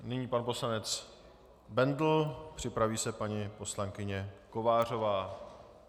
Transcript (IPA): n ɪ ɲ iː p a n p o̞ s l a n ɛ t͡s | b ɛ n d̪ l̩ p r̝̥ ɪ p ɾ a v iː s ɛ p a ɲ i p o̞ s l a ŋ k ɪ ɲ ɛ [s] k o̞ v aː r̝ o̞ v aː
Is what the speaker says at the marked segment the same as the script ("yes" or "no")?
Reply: no